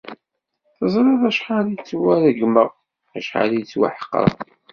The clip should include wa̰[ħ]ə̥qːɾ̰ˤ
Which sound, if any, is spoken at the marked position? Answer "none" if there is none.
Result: ħ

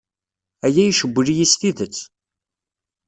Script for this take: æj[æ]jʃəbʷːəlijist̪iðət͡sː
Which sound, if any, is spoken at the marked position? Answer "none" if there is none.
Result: æ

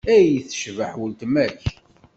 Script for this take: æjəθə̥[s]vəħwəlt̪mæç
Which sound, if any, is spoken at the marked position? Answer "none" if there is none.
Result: ʃ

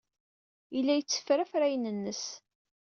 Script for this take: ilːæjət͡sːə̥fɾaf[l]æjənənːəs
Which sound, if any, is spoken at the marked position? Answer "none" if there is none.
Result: ɾ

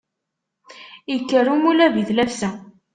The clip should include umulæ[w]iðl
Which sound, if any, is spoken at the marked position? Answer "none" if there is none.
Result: v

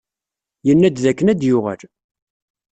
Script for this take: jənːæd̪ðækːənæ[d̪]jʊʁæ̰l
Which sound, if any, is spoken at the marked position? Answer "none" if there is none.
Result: d̪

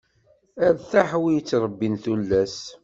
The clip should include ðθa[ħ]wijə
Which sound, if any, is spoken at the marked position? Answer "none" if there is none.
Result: ħ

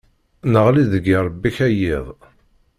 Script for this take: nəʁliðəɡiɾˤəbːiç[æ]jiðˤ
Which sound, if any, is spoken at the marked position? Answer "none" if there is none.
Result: æ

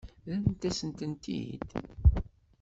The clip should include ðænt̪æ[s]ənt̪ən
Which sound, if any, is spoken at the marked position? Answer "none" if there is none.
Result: s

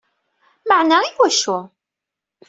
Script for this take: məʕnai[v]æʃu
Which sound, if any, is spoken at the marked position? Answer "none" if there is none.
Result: w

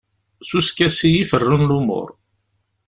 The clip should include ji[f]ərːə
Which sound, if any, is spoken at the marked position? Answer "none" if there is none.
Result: f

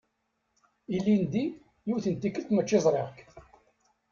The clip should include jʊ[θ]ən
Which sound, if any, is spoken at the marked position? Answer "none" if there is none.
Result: θ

